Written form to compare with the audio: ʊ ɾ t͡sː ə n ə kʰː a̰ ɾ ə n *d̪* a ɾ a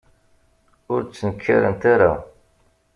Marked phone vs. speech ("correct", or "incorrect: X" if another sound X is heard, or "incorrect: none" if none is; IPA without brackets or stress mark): incorrect: t̪